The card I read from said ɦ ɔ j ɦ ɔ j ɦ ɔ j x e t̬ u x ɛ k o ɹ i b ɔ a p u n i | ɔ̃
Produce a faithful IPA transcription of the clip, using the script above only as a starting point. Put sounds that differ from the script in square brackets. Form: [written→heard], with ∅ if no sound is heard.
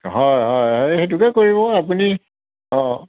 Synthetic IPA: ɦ ɔ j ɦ ɔ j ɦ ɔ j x e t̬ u [x→k] ɛ k o ɹ i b ɔ a p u n i | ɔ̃